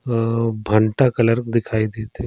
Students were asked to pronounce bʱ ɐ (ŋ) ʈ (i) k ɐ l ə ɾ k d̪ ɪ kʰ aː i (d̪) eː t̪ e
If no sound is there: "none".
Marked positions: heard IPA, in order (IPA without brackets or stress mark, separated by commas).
ɳ, a, d̪